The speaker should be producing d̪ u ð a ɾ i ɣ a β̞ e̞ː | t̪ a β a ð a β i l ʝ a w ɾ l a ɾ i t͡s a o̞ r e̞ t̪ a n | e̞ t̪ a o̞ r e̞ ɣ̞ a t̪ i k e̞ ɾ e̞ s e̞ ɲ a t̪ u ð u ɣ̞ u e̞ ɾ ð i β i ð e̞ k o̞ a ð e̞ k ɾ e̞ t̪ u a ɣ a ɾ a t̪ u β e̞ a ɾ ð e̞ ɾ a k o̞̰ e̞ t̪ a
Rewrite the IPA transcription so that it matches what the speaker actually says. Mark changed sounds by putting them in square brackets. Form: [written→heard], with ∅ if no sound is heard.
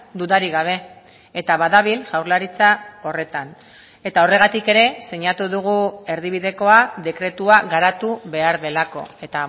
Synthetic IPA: d̪ u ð a ɾ i ɣ a β̞ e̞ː | t̪ a β a ð a β i l ʝ a w ɾ l a ɾ i t͡s a o̞ r e̞ t̪ a n | e̞ t̪ a o̞ r e̞ ɣ̞ a t̪ i k e̞ ɾ e̞ s e̞ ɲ a t̪ u ð u ɣ̞ u e̞ ɾ ð i β i ð e̞ k o̞ a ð e̞ k ɾ e̞ t̪ u a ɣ a ɾ a t̪ u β e̞ a ɾ ð e̞ [ɾ→l] a k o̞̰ e̞ t̪ a

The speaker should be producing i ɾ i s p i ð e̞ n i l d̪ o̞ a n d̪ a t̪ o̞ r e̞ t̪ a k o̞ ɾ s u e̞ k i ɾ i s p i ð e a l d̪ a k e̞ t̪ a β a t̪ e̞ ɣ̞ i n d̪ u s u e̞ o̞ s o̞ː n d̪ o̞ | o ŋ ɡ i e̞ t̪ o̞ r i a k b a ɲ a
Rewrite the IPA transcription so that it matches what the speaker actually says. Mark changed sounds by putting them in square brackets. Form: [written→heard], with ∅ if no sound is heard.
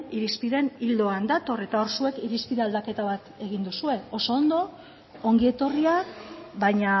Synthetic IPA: i ɾ i s p i ð e̞ n i l d̪ o̞ a n d̪ a t̪ o̞ r e̞ t̪ a [k→∅] o̞ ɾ s u e̞ k i ɾ i s p i ð e a l d̪ a k e̞ t̪ a β a t̪ e̞ ɣ̞ i n d̪ u s u e̞ o̞ s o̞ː n d̪ o̞ | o ŋ ɡ i e̞ t̪ o̞ r i a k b a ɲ a

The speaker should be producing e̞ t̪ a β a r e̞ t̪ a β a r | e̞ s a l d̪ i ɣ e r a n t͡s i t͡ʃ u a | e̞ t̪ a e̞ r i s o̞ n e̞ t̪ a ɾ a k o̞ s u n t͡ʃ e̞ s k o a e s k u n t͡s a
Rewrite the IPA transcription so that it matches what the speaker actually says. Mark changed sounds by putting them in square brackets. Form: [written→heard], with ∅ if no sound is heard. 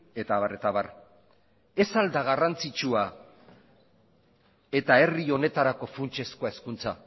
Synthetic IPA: e̞ t̪ a β a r e̞ t̪ a β a r | e̞ s a l d̪ [i→a] ɣ [e→a] r a n t͡s i t͡ʃ u a | e̞ t̪ a e̞ r i [s→∅] o̞ n e̞ t̪ a ɾ a k o̞ [s→f] u n t͡ʃ e̞ s k o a e s k u n t͡s a

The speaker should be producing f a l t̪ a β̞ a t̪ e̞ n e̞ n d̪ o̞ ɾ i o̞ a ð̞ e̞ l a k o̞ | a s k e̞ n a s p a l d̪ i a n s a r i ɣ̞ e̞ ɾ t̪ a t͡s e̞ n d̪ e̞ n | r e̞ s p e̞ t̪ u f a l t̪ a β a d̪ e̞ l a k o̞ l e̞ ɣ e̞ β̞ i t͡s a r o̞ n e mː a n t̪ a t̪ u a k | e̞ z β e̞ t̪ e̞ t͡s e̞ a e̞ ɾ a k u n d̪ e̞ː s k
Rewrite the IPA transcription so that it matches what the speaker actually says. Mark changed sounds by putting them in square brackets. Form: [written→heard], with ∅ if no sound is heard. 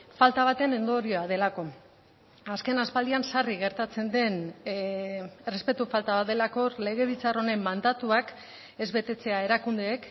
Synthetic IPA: f a l t̪ a β̞ a t̪ e̞ n e̞ n d̪ o̞ ɾ i o̞ a ð̞ e̞ l a k o̞ | a s k e̞ n a s p a l d̪ i a n s a r i ɣ̞ e̞ ɾ t̪ a t͡s e̞ n d̪ e̞ n | r e̞ s p e̞ t̪ u f a l t̪ a β a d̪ e̞ l a k o̞ l e̞ ɣ e̞ β̞ i t͡s a r o̞ n e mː a n [t̪→d̪] a t̪ u a k | e̞ z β e̞ t̪ e̞ t͡s e̞ a e̞ ɾ a k u n d̪ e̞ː [s→∅] k

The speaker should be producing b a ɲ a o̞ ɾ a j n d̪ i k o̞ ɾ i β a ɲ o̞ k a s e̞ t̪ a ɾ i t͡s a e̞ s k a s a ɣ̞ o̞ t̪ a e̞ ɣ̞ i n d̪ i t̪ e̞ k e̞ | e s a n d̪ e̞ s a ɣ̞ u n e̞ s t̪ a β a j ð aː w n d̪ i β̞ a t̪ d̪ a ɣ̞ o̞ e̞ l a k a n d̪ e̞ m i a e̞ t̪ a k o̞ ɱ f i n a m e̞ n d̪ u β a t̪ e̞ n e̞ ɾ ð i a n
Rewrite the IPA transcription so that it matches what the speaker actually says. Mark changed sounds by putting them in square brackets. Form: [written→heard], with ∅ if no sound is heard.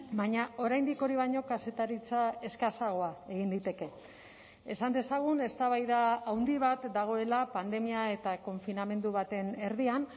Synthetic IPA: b a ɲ a o̞ ɾ a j n d̪ i k o̞ ɾ i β a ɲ o̞ k a s e̞ t̪ a ɾ i t͡s a e̞ s k a s a ɣ̞ o̞ [t̪→∅] a e̞ ɣ̞ i n d̪ i t̪ e̞ k e̞ | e s a n d̪ e̞ s a ɣ̞ u n e̞ s t̪ a β a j ð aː w n d̪ i β̞ a t̪ d̪ a ɣ̞ o̞ e̞ l a [k→p] a n d̪ e̞ m i a e̞ t̪ a k o̞ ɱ f i n a m e̞ n d̪ u β a t̪ e̞ n e̞ ɾ ð i a n

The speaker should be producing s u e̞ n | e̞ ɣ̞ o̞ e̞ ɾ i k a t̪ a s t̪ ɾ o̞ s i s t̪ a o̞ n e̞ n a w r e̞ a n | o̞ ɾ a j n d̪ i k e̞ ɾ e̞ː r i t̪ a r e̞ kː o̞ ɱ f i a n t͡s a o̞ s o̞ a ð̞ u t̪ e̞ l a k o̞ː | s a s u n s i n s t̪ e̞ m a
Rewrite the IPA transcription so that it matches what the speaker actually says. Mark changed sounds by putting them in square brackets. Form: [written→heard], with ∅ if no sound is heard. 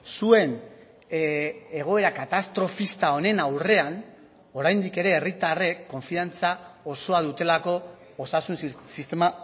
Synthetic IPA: s u e̞ n | e̞ ɣ̞ o̞ e̞ ɾ [i→a] k a t̪ a s t̪ ɾ o̞ [s→f] i s t̪ a o̞ n e̞ n a w r e̞ a n | o̞ ɾ a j n d̪ i k e̞ ɾ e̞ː r i t̪ a r e̞ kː o̞ ɱ f i a n t͡s a o̞ s o̞ a ð̞ u t̪ e̞ l a k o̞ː | s a s u n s i [n→∅] s t̪ e̞ m a

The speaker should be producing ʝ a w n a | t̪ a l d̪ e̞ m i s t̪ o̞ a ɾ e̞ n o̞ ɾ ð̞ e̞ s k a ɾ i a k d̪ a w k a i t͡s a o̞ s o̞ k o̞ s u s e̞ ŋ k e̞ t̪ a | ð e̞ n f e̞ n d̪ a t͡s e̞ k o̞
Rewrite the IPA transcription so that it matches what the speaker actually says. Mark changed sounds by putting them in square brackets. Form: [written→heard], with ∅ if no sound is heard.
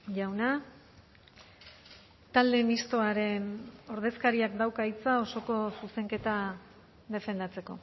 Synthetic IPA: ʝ a w n a | t̪ a l d̪ e̞ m i s t̪ o̞ a ɾ e̞ n o̞ ɾ ð̞ e̞ s k a ɾ i a k d̪ a w k a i t͡s a o̞ s o̞ k o̞ s u s e̞ ŋ k e̞ t̪ a | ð e̞ [n→∅] f e̞ n d̪ a t͡s e̞ k o̞

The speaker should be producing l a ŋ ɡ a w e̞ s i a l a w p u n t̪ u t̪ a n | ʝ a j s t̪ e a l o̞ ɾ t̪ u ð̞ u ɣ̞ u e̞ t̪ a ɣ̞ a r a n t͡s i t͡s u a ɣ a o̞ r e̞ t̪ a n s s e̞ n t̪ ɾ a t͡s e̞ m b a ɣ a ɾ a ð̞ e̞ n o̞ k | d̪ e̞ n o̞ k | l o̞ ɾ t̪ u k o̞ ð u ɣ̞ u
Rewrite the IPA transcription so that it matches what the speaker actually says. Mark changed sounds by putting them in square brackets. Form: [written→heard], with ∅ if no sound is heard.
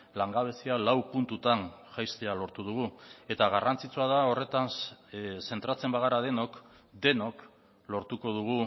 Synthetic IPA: l a ŋ ɡ a [w→β] e̞ s i a l a w p u n t̪ u t̪ a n | ʝ a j s t̪ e a l o̞ ɾ t̪ u ð̞ u ɣ̞ u e̞ t̪ a ɣ̞ a r a n t͡s i t͡s u a [ɣ→ð] a o̞ r e̞ t̪ a n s s e̞ n t̪ ɾ a t͡s e̞ m b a ɣ a ɾ a ð̞ e̞ n o̞ k | d̪ e̞ n o̞ k | l o̞ ɾ t̪ u k o̞ ð u ɣ̞ u

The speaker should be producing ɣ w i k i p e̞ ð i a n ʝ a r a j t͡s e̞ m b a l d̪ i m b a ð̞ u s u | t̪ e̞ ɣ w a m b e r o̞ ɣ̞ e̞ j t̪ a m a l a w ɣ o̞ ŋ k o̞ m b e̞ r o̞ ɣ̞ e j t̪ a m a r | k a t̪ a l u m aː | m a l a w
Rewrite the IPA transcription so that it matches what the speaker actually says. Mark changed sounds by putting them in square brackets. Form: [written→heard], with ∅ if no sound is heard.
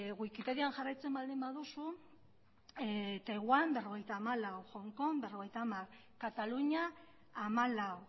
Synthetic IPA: ɣ w i k i p e̞ ð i a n ʝ a r a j t͡s e̞ m b a l d̪ i m b a ð̞ u s u | t̪ e̞ ɣ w a m b e r o̞ ɣ̞ e̞ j t̪ a m a l a w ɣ o̞ ŋ k o̞ m b e̞ r o̞ ɣ̞ e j t̪ a m a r | k a t̪ a l u [m→ɲ] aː | m a l a w

